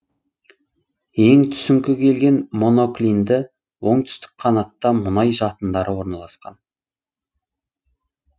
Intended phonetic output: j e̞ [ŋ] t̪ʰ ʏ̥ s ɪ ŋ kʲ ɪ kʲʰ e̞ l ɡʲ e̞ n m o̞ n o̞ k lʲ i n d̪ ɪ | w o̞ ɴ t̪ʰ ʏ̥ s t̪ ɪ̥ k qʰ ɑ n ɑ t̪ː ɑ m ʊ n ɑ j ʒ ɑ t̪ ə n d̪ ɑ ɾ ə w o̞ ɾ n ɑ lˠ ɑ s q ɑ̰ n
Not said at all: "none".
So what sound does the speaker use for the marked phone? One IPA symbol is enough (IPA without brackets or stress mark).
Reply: ŋ